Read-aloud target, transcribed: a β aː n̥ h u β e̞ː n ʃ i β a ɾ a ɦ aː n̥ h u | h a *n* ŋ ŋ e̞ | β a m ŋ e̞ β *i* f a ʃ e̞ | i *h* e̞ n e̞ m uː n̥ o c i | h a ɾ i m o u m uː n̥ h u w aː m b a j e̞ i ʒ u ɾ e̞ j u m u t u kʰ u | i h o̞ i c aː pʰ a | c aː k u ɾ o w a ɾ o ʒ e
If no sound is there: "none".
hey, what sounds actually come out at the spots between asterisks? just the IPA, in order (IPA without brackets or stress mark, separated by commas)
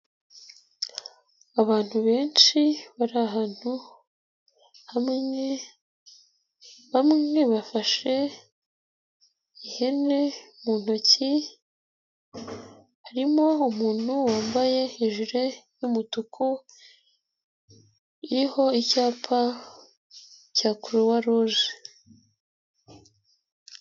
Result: m, a, h